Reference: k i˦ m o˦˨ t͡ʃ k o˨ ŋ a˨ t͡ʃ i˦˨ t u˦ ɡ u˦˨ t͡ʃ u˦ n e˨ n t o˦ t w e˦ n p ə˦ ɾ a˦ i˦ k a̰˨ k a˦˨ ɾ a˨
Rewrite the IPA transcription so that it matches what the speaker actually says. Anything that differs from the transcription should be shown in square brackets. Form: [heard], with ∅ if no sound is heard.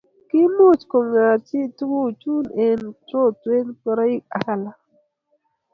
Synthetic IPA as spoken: k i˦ m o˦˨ t͡ʃ k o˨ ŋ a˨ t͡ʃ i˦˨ t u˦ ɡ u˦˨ t͡ʃ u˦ n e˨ n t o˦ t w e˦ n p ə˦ ɾ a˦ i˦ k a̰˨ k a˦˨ [l] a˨